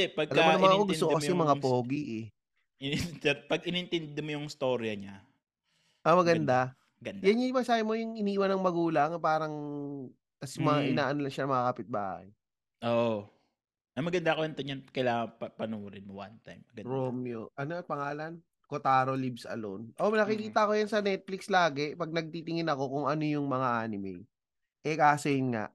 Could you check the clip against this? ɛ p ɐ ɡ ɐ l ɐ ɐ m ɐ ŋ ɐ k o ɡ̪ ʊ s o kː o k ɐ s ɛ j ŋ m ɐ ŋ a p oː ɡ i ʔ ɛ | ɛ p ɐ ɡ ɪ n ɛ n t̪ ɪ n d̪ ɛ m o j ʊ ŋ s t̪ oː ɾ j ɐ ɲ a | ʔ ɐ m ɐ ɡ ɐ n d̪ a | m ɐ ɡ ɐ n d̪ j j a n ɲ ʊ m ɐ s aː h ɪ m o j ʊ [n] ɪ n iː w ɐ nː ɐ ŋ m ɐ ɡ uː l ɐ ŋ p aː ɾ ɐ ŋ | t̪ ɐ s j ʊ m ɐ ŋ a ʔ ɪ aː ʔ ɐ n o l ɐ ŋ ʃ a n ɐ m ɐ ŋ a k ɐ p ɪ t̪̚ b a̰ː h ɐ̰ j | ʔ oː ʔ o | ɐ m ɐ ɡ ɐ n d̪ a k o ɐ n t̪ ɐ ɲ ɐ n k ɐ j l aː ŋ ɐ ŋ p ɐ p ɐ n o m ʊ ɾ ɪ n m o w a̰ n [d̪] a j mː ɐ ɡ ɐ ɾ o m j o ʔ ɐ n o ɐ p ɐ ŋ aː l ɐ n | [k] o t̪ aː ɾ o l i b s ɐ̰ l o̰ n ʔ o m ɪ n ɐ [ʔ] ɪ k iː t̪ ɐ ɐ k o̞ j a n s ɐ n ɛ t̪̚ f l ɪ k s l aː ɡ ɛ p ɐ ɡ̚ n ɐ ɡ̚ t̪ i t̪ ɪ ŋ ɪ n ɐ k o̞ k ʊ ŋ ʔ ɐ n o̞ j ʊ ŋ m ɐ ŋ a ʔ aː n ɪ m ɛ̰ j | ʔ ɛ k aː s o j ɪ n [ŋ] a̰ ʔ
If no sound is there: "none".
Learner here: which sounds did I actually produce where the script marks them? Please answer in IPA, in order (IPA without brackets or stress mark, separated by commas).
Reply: ŋ, t̪, k, k, ŋ